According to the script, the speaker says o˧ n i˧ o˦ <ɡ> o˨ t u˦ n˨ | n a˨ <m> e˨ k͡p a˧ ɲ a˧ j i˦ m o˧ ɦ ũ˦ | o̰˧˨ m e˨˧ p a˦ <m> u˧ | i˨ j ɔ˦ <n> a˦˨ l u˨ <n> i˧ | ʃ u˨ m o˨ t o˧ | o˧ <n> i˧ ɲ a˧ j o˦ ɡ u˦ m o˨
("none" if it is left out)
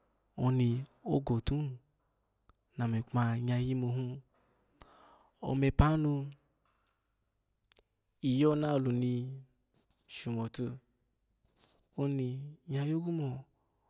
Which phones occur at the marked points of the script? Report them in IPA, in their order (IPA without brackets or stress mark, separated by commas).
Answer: ɡ, m, n, n, n, n